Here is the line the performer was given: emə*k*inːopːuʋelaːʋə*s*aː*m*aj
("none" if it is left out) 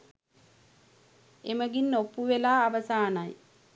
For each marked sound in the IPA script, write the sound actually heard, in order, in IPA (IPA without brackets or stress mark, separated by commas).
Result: ɡ, s, n